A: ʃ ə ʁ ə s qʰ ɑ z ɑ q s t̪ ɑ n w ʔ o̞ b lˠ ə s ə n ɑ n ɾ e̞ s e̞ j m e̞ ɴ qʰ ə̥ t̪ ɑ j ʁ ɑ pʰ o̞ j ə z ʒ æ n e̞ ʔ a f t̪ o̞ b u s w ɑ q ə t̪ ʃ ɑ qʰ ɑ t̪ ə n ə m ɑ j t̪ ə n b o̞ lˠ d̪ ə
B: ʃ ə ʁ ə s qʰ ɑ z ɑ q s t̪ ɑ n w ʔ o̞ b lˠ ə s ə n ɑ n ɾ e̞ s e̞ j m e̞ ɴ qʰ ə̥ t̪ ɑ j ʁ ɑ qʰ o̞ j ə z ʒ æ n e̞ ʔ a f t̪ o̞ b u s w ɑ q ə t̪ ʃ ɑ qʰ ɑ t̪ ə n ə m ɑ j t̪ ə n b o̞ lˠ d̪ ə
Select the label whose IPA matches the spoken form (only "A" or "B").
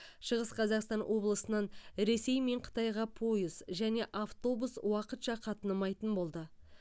A